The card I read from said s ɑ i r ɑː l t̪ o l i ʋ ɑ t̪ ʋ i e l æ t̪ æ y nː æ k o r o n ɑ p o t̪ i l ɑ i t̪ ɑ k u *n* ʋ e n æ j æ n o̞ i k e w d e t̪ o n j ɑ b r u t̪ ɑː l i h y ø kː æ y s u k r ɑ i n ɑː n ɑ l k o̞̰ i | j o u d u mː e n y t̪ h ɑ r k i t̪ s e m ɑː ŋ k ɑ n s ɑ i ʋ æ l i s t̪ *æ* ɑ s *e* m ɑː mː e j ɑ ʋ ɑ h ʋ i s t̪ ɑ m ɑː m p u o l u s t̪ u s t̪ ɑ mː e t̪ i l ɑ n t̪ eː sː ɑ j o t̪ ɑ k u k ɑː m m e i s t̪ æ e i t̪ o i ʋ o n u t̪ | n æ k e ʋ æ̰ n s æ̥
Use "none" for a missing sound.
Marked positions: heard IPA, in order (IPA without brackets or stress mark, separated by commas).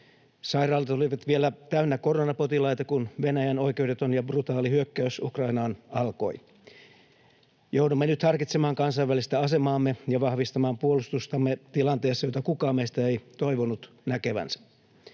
n, æ, e